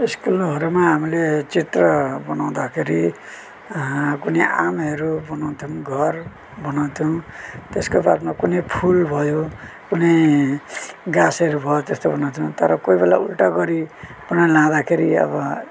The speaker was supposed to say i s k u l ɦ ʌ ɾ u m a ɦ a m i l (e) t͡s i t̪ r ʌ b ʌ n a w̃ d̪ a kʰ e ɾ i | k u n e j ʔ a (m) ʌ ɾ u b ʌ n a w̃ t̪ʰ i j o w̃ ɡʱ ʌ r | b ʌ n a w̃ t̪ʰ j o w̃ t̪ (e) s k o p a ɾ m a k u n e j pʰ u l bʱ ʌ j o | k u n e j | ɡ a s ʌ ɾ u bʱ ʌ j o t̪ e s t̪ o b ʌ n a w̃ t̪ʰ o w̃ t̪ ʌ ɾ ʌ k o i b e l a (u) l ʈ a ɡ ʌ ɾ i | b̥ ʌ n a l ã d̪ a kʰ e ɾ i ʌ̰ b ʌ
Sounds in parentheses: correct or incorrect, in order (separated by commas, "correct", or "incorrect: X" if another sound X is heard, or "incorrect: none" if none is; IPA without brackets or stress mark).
correct, correct, correct, correct